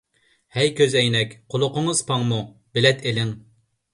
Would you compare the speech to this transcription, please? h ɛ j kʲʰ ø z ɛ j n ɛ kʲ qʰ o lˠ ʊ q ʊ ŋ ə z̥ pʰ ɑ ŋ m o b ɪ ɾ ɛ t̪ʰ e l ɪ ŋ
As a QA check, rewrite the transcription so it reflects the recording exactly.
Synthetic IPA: h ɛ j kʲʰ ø z ɛ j n ɛ kʲ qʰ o lˠ ʊ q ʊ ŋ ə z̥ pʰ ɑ ŋ m u b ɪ l ɛ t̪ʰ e l ɪ ŋ